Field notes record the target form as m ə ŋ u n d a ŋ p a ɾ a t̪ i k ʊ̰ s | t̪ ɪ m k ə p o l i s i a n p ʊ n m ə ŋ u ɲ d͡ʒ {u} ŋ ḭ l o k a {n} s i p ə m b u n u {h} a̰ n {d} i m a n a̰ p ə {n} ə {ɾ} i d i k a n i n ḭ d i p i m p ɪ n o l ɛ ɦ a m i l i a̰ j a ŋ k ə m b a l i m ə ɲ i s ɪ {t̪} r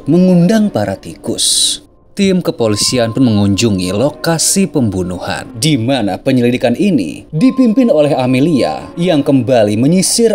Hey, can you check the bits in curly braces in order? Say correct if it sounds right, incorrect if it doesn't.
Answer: correct, incorrect: none, correct, correct, incorrect: ɲ, incorrect: l, incorrect: none

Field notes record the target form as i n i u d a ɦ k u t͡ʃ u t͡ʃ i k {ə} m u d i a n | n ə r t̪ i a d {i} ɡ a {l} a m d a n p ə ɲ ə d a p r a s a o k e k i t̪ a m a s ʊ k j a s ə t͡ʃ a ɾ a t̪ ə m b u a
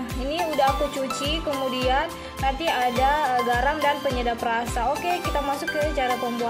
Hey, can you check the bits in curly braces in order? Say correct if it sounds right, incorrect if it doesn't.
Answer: correct, incorrect: a, incorrect: ɾ

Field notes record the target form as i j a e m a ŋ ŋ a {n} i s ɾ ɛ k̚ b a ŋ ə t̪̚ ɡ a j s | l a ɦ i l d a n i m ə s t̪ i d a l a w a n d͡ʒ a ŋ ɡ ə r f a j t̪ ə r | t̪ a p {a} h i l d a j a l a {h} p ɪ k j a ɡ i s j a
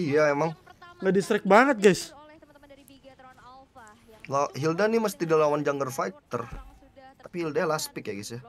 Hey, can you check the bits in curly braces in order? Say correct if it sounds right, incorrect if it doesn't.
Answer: incorrect: d, incorrect: i, incorrect: s

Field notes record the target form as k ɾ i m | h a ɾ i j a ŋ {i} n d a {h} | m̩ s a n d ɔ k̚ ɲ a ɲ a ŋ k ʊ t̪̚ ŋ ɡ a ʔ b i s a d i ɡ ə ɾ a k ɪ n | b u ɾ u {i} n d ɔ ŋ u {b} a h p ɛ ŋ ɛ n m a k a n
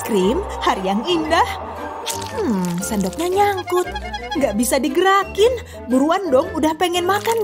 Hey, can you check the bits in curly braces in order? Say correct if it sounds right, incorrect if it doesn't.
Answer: correct, correct, incorrect: a, incorrect: d

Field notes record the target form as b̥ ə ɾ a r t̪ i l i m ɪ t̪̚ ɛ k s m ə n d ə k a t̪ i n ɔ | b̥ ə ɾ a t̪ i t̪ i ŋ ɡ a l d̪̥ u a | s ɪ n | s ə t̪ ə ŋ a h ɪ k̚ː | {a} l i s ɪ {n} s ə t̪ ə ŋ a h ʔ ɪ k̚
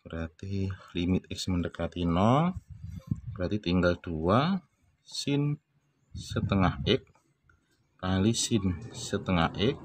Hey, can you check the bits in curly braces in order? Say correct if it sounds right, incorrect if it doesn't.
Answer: correct, correct

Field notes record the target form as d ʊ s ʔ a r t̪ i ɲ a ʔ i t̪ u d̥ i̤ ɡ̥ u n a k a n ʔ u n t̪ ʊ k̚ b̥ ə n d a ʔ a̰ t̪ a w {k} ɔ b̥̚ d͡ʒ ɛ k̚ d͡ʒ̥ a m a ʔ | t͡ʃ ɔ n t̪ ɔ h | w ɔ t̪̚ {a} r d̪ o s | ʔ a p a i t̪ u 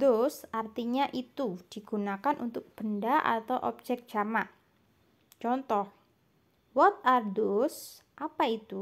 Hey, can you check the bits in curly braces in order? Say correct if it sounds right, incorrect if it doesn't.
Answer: incorrect: ʔ, correct

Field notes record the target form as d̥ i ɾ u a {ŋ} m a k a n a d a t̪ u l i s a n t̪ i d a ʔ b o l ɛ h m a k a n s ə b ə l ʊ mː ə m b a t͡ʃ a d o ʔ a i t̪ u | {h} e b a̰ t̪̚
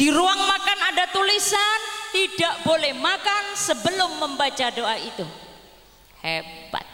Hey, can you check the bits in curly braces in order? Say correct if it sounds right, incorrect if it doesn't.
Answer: correct, correct

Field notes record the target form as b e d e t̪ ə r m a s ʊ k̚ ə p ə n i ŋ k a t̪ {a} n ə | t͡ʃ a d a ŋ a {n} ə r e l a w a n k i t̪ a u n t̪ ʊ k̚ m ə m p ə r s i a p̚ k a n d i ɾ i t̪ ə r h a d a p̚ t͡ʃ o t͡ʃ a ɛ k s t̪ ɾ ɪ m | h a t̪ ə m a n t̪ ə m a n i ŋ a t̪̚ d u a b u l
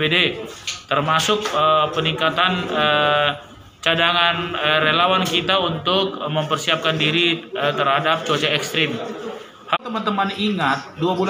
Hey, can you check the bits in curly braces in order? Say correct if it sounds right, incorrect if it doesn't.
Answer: correct, correct

